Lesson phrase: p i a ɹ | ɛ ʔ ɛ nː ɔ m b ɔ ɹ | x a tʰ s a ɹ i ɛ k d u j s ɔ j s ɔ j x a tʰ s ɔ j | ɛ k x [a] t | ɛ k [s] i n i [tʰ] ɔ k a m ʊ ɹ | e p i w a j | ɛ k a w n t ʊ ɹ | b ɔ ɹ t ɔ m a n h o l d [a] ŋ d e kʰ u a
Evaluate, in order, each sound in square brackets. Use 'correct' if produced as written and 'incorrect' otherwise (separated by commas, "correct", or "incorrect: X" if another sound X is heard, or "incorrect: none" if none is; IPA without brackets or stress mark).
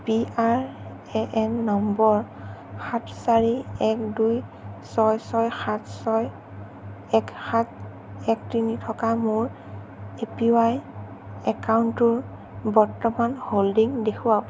correct, incorrect: t, correct, incorrect: i